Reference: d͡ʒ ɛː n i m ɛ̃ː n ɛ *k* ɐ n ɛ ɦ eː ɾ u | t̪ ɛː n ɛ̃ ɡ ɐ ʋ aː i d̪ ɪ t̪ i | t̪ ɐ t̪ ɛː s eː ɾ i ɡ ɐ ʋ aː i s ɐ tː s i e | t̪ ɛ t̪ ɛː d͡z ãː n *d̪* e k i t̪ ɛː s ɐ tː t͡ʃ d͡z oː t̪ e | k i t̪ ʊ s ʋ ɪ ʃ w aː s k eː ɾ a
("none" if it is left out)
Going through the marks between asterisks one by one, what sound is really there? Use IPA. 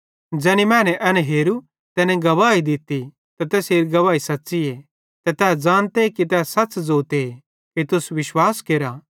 ʔ, t̪

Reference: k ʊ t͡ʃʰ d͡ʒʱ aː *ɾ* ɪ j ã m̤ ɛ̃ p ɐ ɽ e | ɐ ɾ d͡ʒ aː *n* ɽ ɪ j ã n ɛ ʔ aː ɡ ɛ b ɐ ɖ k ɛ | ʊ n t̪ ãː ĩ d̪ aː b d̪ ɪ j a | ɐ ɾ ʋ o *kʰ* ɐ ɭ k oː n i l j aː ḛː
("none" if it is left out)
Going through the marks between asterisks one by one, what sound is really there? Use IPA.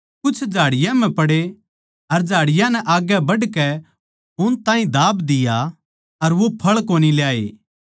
ɽ, none, pʰ

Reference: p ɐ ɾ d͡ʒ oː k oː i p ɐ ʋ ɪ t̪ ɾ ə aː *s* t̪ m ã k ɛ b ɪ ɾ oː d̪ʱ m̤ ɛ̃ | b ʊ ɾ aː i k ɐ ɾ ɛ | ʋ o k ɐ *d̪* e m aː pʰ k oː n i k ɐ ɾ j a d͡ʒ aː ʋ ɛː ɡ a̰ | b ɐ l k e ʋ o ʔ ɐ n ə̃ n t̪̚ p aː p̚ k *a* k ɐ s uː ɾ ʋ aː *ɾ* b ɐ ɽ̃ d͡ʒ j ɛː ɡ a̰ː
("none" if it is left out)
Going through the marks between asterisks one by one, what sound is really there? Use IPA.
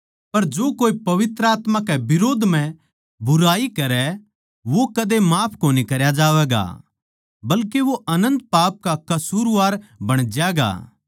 none, d̪, a, ɾ

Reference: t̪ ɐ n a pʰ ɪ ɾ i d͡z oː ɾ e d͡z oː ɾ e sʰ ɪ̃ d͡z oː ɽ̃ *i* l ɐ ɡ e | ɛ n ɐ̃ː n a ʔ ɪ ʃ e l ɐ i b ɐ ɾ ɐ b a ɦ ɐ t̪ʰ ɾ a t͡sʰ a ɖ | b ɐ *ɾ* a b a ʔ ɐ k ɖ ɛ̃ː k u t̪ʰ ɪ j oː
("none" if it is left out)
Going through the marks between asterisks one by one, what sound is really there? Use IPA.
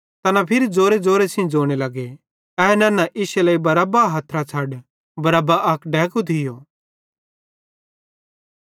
e, ɾ

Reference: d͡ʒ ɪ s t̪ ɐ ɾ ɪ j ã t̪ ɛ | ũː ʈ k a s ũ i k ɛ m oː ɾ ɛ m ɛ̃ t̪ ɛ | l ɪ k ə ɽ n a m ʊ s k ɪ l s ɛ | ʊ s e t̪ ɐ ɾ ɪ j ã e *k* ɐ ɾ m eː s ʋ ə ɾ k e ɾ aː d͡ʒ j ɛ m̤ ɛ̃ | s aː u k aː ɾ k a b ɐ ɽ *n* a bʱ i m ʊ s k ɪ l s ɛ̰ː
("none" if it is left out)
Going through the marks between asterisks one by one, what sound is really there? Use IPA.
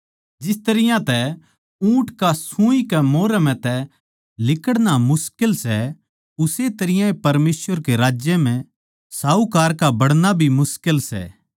p, n

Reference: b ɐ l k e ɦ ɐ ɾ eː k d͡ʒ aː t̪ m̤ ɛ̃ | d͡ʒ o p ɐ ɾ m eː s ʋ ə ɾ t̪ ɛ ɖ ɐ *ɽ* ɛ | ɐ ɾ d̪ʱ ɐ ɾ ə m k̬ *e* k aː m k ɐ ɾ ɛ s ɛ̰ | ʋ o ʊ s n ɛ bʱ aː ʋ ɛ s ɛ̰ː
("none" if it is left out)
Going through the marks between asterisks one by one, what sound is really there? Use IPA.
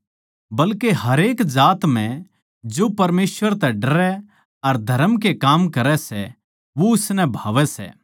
ɾ, e

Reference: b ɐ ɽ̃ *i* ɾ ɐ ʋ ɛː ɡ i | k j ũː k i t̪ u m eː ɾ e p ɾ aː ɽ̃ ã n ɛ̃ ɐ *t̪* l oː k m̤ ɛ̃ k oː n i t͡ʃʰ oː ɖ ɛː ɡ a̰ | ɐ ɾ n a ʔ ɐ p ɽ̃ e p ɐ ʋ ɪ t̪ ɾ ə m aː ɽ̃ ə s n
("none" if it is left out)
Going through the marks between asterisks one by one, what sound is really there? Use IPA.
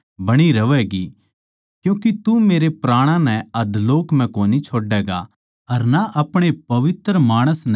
i, d̪

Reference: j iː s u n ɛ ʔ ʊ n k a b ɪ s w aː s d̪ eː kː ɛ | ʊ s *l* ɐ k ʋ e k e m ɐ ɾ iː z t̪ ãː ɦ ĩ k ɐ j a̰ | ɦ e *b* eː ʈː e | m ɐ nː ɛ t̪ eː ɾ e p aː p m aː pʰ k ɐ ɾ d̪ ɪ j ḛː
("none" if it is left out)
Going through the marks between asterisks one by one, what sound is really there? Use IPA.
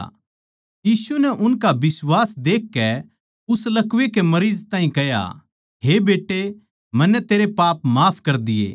l, b

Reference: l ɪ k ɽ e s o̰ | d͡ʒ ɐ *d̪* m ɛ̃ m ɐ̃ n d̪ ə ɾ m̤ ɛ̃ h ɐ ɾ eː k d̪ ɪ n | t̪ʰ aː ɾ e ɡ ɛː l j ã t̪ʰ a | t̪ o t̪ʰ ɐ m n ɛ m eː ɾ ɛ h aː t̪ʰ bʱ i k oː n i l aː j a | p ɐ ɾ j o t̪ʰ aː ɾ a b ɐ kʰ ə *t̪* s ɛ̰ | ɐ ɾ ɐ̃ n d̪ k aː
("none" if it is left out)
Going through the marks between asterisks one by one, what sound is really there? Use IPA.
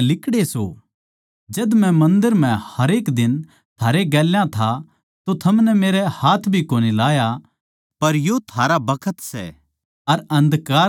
d̪, t̪

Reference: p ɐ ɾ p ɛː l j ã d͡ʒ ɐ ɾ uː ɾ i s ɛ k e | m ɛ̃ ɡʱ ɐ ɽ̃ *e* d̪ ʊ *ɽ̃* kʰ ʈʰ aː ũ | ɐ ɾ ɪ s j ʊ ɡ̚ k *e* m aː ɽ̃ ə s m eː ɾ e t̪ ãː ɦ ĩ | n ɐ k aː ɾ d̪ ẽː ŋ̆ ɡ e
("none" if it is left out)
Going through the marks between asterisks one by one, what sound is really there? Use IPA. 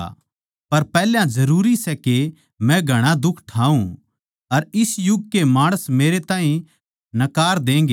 a, none, e

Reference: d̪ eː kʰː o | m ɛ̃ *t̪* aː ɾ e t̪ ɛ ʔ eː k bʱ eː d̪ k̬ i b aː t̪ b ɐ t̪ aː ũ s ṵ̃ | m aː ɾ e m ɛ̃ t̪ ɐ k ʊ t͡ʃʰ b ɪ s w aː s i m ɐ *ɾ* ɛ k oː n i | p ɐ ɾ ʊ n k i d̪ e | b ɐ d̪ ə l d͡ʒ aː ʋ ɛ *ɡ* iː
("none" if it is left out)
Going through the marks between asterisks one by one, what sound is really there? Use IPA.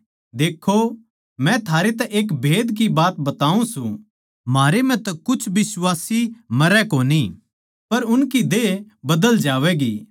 t̪ʰ, ɾ, ɡ

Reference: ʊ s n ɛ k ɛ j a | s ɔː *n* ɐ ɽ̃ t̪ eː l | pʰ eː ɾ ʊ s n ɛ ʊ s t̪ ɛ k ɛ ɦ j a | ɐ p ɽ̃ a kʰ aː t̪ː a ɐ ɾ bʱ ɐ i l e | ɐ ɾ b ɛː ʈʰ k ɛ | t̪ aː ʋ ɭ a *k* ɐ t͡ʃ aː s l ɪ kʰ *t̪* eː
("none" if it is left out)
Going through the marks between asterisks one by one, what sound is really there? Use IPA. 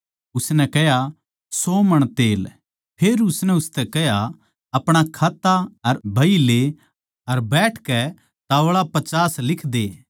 m, p, d̪

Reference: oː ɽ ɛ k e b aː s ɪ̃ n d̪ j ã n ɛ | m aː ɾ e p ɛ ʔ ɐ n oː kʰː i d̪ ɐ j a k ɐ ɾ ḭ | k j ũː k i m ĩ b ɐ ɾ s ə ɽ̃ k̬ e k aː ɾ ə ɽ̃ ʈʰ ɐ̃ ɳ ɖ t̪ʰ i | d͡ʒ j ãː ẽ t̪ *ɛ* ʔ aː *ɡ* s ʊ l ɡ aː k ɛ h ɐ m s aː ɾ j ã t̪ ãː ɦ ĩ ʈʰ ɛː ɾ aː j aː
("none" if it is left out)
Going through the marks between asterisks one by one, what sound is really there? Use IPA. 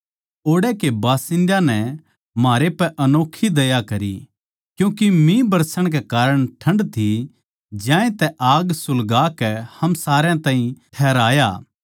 ɛ, ɡ

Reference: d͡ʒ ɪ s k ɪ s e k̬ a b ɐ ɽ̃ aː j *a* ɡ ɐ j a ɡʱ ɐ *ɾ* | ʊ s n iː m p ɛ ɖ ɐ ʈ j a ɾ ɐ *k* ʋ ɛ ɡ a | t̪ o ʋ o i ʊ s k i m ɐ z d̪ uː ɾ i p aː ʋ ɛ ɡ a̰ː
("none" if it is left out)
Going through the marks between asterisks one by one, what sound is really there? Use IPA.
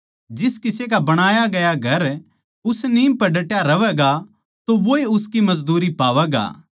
a, ɾ, none

